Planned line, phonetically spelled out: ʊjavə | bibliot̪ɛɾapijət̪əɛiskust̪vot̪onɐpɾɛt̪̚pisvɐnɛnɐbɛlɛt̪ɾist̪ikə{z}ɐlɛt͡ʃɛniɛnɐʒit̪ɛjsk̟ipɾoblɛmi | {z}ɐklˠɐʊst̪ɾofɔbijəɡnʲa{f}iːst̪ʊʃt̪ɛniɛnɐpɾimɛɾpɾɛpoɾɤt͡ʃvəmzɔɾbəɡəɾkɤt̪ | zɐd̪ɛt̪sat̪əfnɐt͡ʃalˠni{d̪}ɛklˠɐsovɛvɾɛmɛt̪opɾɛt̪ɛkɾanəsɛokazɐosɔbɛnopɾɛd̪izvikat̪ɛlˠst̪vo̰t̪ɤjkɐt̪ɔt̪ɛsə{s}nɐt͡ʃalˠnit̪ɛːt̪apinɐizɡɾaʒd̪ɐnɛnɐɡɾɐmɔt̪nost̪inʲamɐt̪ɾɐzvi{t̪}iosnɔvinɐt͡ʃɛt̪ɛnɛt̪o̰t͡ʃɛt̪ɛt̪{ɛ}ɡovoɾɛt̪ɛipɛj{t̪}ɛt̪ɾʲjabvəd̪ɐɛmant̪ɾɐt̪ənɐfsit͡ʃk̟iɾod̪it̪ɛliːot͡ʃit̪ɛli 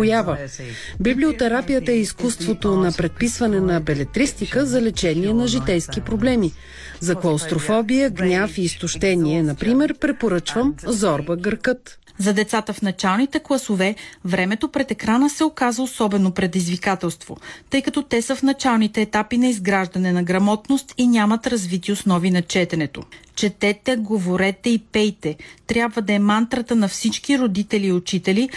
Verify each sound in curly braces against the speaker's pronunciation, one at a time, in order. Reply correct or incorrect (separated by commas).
correct, correct, correct, incorrect, incorrect, correct, correct, correct